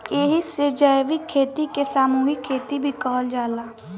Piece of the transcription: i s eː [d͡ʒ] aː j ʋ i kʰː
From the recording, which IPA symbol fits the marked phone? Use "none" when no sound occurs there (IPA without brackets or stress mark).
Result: d͡ʒ